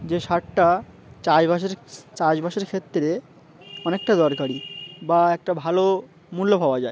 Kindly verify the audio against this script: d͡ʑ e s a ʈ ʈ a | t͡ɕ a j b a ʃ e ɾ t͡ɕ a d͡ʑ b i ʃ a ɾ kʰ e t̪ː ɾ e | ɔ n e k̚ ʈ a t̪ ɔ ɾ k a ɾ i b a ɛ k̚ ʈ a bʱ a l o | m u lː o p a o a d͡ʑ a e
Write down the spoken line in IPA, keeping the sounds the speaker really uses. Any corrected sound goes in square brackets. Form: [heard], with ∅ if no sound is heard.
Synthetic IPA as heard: d͡ʑ e [ʃ] a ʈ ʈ a | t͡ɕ a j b a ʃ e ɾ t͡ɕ a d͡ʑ b [a] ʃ [e] ɾ kʰ e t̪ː ɾ e | ɔ n e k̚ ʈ a [d̪] ɔ ɾ k a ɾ i b a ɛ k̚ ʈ a bʱ a l o | m u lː o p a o a d͡ʑ a e